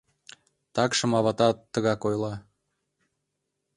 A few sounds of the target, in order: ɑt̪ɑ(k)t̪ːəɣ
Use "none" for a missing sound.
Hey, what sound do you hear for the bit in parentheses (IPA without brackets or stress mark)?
none